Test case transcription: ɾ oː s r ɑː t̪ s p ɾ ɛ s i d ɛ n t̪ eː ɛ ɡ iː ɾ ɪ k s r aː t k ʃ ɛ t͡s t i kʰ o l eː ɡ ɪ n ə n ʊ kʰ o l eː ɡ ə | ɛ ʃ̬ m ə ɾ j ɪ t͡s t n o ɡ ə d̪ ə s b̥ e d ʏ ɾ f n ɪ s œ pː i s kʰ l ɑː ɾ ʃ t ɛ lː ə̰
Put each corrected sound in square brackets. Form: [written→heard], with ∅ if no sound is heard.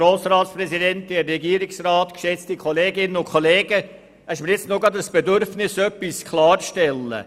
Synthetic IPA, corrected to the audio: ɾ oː s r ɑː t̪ s p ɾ ɛ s i d ɛ n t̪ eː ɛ ɡ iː ɾ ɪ k s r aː t k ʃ ɛ t͡s t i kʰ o l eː ɡ ɪ n ə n ʊ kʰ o l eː ɡ ə | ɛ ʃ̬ m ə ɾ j ɪ t͡s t n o ɡ [ə→ɑ] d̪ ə s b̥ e d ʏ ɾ f n ɪ s œ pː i s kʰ l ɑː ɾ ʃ t ɛ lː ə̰